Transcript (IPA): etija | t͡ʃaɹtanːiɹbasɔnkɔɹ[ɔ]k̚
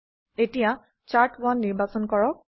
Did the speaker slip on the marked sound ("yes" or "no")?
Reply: no